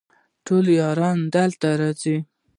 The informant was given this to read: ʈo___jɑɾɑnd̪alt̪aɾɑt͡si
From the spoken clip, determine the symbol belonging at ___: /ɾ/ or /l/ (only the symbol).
l